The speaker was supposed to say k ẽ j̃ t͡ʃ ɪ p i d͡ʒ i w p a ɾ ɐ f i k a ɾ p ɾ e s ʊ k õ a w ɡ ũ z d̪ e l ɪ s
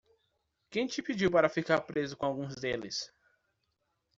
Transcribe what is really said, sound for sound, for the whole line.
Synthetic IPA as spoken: k ẽ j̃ t͡ʃ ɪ p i d͡ʒ i w p a ɾ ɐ f i k a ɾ p ɾ e z ʊ k õ a w ɡ ũ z d̪ e l ɪ s

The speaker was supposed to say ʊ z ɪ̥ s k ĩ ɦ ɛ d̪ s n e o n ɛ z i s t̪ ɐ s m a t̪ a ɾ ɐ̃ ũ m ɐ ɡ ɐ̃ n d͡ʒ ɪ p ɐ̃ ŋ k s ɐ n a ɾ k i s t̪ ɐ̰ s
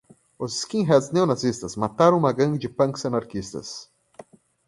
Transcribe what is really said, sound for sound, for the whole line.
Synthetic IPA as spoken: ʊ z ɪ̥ s k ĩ ɦ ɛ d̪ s n e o n a z i s t̪ ɐ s m a t̪ a ɾ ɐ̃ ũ m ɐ ɡ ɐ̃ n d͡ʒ ɪ p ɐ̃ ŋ k s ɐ n a ɾ k i s t̪ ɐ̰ s

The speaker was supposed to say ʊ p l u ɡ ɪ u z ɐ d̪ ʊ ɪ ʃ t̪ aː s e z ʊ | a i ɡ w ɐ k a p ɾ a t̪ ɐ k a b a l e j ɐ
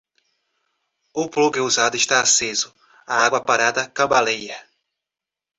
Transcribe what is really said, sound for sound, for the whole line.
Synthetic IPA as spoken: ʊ p l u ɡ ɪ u z a d̪ ʊ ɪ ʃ t̪ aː s e z ʊ | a a ɡ w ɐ p a ɾ a d̪ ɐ k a b a l e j ɐ

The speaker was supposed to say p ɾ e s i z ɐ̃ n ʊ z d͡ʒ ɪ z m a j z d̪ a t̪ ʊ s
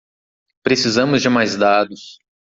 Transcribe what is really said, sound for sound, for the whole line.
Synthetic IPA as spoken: p ɾ e s i z ɐ̃ m ʊ z d͡ʒ ɪ m a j z d̪ a d̪ ʊ s

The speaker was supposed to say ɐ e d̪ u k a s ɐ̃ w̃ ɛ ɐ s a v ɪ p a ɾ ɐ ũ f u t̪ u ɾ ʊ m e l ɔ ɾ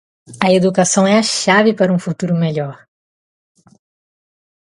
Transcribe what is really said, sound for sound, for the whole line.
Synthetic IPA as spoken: ɐ e d̪ u k a s ɐ̃ w̃ ɛ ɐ ʃ a v ɪ p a ɾ ɐ ũ f u t̪ u ɾ ʊ m e ʎ ɔ ɾ

